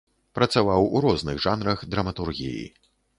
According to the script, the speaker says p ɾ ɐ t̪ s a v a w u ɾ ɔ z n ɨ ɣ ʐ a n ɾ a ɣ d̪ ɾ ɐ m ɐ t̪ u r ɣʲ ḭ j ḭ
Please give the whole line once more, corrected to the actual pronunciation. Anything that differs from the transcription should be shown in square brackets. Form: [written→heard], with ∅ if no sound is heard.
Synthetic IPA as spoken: p ɾ ɐ t̪ s a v a w u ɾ ɔ z n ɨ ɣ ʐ a n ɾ [a→ɐ] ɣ d̪ ɾ ɐ m ɐ t̪ u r ɣʲ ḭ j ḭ

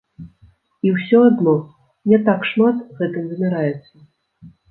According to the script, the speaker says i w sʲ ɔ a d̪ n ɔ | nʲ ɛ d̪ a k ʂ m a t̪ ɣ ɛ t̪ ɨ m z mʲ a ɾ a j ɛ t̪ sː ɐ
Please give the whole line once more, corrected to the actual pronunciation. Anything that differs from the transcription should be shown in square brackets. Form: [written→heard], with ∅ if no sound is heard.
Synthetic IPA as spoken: i w sʲ ɔ a d̪ n ɔ | nʲ ɛ [d̪→t̪] a k ʂ m a t̪ ɣ ɛ t̪ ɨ m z mʲ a ɾ a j ɛ t̪ sː ɐ

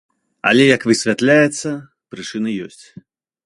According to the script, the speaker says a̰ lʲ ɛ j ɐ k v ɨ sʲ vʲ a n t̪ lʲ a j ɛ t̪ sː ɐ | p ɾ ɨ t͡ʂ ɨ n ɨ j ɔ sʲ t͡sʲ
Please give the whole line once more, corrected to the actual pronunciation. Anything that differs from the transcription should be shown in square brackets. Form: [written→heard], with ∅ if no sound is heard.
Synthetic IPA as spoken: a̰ lʲ ɛ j ɐ k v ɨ sʲ vʲ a [n→∅] t̪ lʲ a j ɛ t̪ sː ɐ | p ɾ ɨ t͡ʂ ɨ n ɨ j ɔ sʲ t͡sʲ

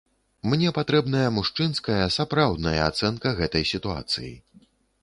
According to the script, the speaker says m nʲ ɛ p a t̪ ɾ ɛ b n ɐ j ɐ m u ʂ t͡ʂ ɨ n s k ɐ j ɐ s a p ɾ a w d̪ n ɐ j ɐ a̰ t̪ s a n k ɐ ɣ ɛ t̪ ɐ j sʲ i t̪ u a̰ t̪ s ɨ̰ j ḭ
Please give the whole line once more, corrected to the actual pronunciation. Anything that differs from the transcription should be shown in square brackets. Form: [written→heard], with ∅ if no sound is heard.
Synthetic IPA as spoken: m nʲ ɛ p a t̪ ɾ ɛ b n ɐ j ɐ m u ʂ t͡ʂ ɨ n s k ɐ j ɐ s a p ɾ a w d̪ n ɐ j ɐ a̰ t̪ s [a→ɛ] n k ɐ ɣ ɛ t̪ ɐ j sʲ i t̪ u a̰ t̪ s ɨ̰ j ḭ

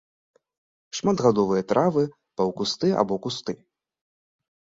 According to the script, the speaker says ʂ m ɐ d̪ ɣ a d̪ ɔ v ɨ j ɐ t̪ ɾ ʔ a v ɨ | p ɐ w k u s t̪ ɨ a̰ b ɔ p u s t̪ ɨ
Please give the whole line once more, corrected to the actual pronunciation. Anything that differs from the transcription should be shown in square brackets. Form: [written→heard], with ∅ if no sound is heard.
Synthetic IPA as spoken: ʂ m [ɐ→a] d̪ ɣ a d̪ ɔ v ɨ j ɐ t̪ ɾ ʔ a v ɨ | p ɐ w k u s t̪ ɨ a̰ b ɔ [p→k] u s t̪ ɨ

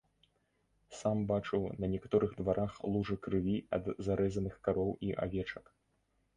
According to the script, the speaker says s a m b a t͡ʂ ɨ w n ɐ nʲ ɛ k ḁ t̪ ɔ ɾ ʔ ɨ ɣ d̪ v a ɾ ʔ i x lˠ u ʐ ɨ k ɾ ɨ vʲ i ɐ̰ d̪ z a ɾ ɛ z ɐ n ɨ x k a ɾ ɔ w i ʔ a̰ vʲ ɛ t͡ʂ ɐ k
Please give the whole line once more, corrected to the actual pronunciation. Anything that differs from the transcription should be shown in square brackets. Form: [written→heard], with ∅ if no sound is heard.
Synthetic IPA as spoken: s a m b a t͡ʂ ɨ w n ɐ nʲ ɛ k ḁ t̪ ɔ ɾ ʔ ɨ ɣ d̪ v a ɾ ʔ [i→a] x lˠ u ʐ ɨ k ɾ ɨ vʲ i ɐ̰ d̪ z a ɾ ɛ z ɐ n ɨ x k a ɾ ɔ w i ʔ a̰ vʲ ɛ t͡ʂ ɐ k

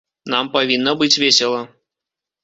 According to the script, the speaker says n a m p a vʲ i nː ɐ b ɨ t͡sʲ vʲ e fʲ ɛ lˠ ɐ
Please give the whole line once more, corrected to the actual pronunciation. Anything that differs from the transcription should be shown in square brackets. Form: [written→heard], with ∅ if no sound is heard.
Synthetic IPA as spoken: n a m p a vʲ i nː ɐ b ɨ t͡sʲ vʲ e [fʲ→sʲ] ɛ lˠ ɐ

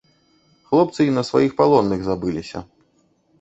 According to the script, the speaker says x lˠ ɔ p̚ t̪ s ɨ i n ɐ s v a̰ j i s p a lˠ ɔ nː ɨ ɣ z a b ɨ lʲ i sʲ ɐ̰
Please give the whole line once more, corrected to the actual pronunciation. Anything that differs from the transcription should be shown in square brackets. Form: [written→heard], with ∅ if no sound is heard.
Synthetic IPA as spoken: x lˠ ɔ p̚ t̪ s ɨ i n ɐ s v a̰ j i [s→x] p a lˠ ɔ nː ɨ ɣ z a b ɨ lʲ i sʲ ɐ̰

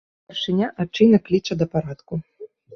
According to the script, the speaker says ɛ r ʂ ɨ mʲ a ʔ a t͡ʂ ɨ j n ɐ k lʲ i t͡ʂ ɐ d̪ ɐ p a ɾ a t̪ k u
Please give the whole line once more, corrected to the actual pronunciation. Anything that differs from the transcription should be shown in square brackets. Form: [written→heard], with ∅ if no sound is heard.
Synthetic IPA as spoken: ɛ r ʂ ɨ [mʲ→nʲ] a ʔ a t͡ʂ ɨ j n ɐ k lʲ i t͡ʂ ɐ d̪ ɐ p a ɾ a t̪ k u

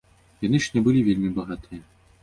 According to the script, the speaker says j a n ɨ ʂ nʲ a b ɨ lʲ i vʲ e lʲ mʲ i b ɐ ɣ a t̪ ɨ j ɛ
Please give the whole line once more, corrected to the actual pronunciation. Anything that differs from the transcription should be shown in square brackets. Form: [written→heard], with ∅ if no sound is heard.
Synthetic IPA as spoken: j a n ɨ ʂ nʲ [a→ɛ] b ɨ lʲ i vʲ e lʲ mʲ i b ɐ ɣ a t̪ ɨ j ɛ

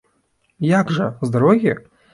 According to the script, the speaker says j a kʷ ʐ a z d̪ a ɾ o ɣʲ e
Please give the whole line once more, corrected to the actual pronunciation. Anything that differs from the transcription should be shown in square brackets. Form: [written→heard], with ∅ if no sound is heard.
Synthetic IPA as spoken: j a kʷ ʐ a z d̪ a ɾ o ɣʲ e

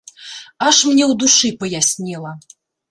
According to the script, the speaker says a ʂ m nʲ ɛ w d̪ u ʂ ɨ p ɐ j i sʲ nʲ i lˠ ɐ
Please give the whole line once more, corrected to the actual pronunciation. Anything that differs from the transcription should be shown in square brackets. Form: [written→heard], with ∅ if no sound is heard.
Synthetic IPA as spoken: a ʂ m nʲ ɛ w d̪ u ʂ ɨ p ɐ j [i→a] sʲ nʲ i lˠ ɐ

